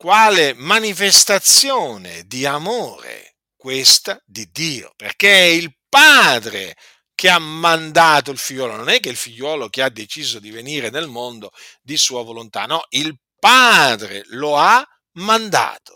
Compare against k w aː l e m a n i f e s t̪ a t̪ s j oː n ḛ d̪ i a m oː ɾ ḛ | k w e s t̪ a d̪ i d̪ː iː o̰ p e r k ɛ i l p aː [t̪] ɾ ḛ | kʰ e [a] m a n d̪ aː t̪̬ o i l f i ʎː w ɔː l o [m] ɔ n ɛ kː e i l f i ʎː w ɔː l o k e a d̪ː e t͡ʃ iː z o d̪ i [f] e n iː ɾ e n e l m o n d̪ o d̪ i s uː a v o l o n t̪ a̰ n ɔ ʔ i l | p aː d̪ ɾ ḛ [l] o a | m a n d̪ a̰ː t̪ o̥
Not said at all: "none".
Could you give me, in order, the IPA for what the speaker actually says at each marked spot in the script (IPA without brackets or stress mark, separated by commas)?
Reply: d̪, a, n, v, l